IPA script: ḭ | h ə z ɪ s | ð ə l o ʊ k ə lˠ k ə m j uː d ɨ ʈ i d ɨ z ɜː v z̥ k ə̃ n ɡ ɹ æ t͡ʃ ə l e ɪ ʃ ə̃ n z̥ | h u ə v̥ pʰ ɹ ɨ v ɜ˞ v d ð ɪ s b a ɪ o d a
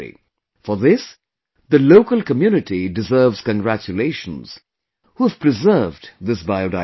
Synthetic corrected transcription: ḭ | f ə ð ɪ s | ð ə l o ʊ k ə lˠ k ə m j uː n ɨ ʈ i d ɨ z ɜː v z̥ k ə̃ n ɡ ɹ æ t͡ʃ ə l e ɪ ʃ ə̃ n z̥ | h u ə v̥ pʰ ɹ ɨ z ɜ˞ v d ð ɪ s b a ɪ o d a